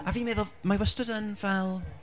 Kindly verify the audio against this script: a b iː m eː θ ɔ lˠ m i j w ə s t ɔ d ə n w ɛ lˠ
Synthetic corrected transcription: a v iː m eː ð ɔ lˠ m a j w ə s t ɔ d ə n v ɛ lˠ